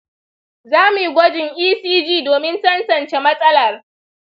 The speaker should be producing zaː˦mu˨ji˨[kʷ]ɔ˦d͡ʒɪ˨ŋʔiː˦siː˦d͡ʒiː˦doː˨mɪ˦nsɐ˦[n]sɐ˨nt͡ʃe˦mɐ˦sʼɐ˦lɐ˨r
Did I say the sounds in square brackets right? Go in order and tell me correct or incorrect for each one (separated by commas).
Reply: incorrect, correct